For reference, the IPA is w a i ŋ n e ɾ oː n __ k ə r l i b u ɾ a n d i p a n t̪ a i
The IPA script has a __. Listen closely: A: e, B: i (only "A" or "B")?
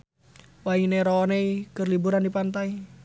A